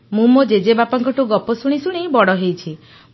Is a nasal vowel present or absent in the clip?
absent